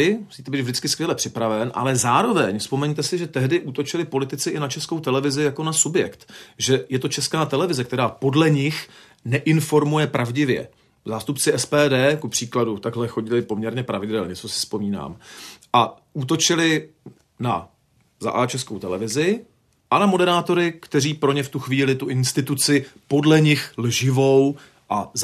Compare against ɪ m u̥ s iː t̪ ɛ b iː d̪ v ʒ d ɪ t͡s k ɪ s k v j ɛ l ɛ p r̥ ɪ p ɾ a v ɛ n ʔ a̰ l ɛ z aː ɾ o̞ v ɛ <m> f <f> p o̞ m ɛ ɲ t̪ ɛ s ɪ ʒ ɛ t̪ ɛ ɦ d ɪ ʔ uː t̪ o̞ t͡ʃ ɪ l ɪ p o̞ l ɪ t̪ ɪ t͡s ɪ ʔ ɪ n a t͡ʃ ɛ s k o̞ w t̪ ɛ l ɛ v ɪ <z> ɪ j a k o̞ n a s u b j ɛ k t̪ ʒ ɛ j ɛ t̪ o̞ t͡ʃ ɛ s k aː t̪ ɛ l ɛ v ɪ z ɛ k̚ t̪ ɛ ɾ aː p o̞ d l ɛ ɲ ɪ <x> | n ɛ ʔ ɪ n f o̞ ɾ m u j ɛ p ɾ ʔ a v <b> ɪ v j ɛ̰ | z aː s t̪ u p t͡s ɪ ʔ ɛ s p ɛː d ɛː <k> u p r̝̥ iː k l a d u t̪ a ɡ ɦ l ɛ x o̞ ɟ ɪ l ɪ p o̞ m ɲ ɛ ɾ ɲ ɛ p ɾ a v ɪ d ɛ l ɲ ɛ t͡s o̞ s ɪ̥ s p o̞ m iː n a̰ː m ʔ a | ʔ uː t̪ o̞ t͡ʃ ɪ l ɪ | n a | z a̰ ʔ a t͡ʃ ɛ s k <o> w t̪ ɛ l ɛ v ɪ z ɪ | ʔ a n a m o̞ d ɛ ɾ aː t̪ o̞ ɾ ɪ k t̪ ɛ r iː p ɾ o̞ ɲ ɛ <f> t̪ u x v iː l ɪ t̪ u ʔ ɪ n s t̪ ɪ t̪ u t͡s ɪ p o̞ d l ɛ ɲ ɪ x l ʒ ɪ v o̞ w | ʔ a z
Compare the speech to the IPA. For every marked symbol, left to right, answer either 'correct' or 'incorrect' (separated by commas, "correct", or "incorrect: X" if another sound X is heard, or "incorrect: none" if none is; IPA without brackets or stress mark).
incorrect: ɲ, incorrect: s, correct, correct, incorrect: ɟ, correct, correct, correct